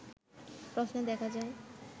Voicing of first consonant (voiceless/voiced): voiceless